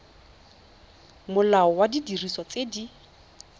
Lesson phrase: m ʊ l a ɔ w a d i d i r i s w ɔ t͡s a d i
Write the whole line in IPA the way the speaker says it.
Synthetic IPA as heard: m ʊ l a ɔ w a d i d i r i s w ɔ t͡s e d i